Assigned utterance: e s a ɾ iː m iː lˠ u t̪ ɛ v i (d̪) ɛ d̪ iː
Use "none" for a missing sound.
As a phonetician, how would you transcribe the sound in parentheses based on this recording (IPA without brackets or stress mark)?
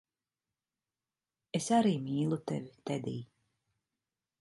t̪